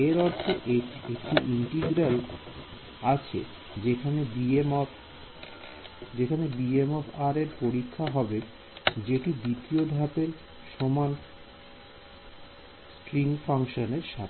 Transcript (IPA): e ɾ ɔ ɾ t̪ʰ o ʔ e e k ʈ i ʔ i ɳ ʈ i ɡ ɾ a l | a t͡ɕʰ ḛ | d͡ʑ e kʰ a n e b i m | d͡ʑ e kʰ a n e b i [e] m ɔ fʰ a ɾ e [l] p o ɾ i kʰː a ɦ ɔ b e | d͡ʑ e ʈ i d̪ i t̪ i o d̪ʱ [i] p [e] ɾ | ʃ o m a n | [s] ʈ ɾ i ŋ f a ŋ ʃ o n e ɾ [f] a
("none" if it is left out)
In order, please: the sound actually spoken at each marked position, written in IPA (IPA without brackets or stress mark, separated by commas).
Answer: e, ɾ, a, e, s, ʃ